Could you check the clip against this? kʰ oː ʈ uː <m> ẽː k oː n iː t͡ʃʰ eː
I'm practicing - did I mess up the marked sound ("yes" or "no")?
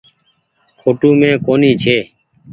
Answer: no